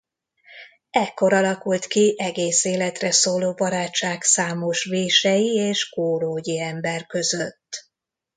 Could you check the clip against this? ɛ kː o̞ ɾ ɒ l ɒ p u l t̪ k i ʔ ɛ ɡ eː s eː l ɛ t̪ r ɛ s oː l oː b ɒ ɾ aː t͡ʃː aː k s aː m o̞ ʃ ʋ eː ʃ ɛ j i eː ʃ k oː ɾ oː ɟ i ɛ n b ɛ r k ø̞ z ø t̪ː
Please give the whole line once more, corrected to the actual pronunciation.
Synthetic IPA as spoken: ɛ kː o̞ ɾ ɒ l ɒ k u l t̪ k i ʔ ɛ ɡ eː s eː l ɛ t̪ r ɛ s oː l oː b ɒ ɾ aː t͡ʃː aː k s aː m o̞ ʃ ʋ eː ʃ ɛ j i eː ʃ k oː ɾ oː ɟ i ɛ m b ɛ r k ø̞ z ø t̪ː